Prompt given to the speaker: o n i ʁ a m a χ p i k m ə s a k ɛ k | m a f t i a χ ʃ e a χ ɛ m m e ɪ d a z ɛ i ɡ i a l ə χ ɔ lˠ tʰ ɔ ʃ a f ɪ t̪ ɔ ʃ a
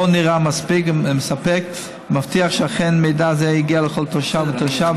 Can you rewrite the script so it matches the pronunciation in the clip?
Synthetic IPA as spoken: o n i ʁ a m a s p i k m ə s a p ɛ k | m a f t i a χ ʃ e a χ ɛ n m e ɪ d a z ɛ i ɡ i a l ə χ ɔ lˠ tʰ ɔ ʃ a v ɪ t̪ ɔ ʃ a